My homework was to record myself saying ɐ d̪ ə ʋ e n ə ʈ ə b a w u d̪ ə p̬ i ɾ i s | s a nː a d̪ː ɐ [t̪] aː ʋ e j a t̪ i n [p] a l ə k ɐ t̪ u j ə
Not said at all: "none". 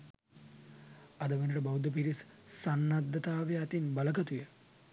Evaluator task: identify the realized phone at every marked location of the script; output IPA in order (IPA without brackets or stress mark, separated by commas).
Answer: t̪, b